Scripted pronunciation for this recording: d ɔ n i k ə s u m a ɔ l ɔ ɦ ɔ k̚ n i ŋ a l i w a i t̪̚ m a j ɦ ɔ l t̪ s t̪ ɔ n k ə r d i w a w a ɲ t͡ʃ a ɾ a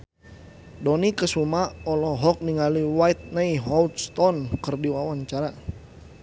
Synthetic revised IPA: d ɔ n i k ə s u m a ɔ l ɔ ɦ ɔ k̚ n i ŋ a l i w a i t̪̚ n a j ɦ ɔ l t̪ s t̪ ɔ n k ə r d i w a w a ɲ t͡ʃ a ɾ a